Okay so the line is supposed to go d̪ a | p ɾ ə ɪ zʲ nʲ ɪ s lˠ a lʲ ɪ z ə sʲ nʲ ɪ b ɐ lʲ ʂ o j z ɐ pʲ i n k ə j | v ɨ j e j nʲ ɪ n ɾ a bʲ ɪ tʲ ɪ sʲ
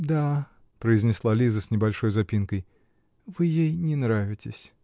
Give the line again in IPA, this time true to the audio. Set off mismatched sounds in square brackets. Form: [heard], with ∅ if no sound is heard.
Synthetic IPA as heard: d̪ a | p ɾ ə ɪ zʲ nʲ ɪ s lˠ a lʲ [i] z ə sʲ nʲ ɪ b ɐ lʲ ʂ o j z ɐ pʲ i n k ə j | v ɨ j e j nʲ ɪ n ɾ a [vʲ] ɪ tʲ ɪ sʲ